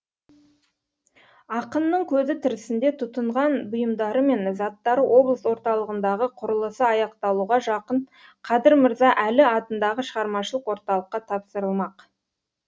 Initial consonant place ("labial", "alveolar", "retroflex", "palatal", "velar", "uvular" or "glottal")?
uvular